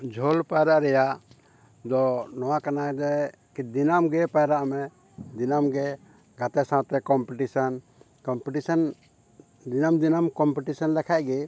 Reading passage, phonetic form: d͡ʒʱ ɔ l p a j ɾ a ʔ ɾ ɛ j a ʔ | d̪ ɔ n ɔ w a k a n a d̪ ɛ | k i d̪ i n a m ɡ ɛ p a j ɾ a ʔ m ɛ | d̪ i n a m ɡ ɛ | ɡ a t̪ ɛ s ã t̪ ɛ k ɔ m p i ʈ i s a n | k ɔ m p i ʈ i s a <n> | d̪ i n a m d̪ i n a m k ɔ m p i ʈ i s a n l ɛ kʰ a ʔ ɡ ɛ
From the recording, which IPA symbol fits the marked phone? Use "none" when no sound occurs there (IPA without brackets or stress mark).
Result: n